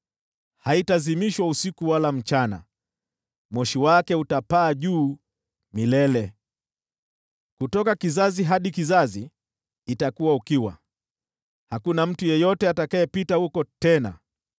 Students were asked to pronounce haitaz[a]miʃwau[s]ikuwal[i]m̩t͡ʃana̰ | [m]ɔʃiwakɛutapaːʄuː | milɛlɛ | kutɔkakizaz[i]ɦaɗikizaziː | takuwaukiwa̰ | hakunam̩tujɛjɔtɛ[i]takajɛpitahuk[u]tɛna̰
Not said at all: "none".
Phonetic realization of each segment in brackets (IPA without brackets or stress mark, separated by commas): i, s, a, m, i, a, ɔ